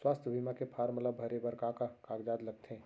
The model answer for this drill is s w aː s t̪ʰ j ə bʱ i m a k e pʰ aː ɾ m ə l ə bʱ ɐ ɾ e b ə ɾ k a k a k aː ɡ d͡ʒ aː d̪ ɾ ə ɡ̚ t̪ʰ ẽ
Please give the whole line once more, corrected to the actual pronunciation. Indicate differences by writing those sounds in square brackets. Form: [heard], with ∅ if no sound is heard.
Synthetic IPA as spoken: s w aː s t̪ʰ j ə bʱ i m a k e pʰ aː ɾ m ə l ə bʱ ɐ ɾ e b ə ɾ k a k a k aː ɡ d͡ʒ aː d̪ [l] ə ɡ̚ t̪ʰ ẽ

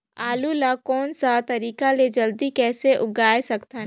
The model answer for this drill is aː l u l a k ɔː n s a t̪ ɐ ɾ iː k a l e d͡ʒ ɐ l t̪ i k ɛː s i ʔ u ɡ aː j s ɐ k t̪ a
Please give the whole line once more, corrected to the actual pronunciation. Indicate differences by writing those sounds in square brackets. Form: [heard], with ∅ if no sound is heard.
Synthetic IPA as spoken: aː l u l a k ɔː n s a t̪ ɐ ɾ iː k a l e d͡ʒ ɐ l [d̪] i k ɛː s [e] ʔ [ʊ] ɡ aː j s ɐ k t̪ a

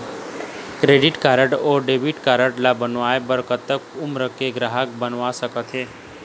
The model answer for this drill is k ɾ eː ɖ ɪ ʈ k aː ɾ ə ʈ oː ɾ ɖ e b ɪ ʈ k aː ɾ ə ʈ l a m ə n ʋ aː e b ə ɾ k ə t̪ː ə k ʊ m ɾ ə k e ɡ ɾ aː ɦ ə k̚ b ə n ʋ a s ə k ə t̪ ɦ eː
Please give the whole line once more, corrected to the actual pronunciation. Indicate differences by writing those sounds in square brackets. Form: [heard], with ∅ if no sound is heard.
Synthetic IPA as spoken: k ɾ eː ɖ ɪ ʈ k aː ɾ ə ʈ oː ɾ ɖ e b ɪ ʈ k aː ɾ ə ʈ l a [b] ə n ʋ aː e b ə ɾ k ə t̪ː ə k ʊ m ɾ ə k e ɡ ɾ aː ɦ ə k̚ b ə n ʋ a s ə k ə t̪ ɦ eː

